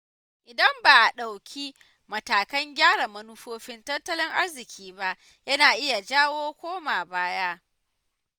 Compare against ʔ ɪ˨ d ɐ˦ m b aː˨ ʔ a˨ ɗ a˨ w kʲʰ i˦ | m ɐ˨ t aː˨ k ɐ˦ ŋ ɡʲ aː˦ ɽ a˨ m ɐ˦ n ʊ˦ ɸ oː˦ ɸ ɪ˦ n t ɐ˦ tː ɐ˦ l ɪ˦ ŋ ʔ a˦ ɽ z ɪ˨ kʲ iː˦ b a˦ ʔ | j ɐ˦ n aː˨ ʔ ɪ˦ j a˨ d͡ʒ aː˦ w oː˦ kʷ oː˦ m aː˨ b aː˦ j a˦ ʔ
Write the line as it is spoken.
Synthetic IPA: ʔ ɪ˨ d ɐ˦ m b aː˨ ʔ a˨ ɗ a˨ w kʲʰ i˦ | m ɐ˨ t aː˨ k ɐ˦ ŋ ɡʲ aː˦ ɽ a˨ m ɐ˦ n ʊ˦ ɸ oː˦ ɸ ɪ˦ n t ɐ˦ tː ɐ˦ l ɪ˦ ŋ ʔ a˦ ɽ z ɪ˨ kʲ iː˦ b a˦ ʔ | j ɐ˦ n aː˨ ʔ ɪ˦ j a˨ d͡ʒ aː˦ w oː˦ kʷ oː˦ m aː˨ b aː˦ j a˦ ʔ

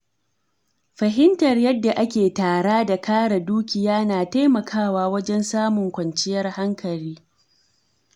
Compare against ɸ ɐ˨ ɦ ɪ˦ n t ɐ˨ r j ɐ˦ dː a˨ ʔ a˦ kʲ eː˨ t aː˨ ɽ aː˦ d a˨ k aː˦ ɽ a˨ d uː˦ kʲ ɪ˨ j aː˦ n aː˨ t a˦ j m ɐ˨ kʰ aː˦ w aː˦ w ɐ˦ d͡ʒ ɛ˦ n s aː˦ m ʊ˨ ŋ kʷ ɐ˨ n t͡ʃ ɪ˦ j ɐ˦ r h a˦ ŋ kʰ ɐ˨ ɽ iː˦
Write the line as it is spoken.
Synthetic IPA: ɸ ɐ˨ ɦ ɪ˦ n t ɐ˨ r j ɐ˦ dː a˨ ʔ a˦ kʲ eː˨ t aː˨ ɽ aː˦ d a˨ k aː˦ ɽ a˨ d uː˦ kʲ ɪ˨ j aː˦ n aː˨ t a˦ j m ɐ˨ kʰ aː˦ w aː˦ w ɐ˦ d͡ʒ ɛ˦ n s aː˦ m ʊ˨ ŋ kʷ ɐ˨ n t͡ʃ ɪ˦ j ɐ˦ r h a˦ ŋ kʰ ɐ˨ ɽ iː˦

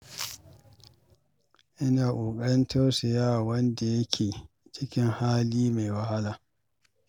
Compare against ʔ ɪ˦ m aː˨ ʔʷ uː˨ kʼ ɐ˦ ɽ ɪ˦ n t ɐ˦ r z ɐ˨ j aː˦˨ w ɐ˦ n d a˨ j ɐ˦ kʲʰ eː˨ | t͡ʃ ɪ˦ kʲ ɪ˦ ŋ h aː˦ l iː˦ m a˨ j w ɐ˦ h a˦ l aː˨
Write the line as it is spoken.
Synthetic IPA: ʔ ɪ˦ n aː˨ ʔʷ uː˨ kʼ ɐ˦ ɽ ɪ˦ n t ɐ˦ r s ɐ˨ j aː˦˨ w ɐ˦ n d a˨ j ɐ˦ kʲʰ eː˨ | t͡ʃ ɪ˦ kʲ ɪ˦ ŋ h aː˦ l iː˦ m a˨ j w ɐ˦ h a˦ l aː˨

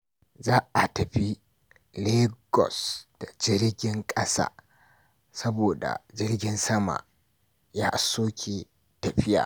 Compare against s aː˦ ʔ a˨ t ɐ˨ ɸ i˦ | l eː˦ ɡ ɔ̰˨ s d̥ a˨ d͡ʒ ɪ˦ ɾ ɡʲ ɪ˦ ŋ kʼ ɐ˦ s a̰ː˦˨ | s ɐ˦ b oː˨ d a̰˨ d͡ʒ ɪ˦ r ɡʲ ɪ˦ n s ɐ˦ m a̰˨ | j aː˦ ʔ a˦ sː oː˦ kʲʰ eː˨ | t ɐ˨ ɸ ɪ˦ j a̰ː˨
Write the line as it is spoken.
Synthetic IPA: z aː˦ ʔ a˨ t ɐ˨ ɸ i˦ | l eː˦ ɡ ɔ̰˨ s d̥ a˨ d͡ʒ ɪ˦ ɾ ɡʲ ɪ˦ ŋ kʼ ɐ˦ s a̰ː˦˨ | s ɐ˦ b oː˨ d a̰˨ d͡ʒ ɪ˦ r ɡʲ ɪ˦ n s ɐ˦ m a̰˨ | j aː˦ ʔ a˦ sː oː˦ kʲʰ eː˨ | t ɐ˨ ɸ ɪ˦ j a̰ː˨

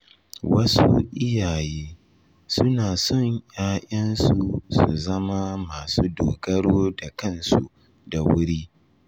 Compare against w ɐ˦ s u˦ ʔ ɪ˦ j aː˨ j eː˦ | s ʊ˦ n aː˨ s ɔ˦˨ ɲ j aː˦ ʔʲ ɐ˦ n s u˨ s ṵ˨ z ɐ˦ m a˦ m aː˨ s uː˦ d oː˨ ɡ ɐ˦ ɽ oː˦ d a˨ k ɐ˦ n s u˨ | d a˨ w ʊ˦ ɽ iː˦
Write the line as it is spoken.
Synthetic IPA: w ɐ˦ s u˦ ʔ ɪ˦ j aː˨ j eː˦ | s ʊ˦ n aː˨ s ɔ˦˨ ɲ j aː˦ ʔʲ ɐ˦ n s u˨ s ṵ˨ z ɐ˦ m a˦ m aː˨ s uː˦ d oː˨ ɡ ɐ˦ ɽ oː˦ d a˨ k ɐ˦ n s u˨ | d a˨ w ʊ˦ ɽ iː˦

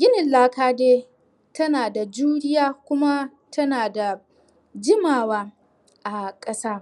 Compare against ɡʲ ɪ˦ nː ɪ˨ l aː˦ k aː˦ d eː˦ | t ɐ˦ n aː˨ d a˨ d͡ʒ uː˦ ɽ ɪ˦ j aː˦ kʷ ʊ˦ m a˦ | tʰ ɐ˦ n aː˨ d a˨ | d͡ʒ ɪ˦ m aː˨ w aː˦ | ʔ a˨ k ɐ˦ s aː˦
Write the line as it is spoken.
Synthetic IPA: ɡʲ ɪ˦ n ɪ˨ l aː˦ k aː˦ d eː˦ | t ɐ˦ n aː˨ d a˨ d͡ʒ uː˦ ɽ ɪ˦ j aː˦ kʷ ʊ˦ m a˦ | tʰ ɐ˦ n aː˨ d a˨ | d͡ʒ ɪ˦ m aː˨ w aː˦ | ʔ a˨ kʼ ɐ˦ s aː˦

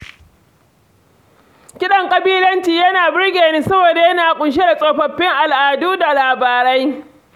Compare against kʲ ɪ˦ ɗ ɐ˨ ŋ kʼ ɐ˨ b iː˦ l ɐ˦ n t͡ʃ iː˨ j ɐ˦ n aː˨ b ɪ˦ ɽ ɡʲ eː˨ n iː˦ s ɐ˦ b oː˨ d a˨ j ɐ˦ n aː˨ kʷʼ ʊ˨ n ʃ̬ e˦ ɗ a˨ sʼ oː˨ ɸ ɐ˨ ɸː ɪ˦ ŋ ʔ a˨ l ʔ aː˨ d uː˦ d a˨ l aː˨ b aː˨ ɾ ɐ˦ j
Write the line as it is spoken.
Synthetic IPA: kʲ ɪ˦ ɗ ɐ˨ ŋ kʼ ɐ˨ b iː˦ l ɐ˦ n t͡ʃ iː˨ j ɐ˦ n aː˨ b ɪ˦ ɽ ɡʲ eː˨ n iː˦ s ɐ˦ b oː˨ d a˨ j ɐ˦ n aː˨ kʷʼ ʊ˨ n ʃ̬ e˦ d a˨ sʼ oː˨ ɸ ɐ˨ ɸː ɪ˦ ŋ ʔ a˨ l ʔ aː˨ d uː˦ d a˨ l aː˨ b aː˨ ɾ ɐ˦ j

